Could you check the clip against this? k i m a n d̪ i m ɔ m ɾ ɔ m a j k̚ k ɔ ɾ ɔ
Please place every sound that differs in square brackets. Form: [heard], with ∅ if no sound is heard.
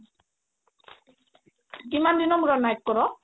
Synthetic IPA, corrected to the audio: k i m a n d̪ i [n] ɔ m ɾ ɔ [n] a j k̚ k ɔ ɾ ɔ